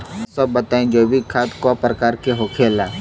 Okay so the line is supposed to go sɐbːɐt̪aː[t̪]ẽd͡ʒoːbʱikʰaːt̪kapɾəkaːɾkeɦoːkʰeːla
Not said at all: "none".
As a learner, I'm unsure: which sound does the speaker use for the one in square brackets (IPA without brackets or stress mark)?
none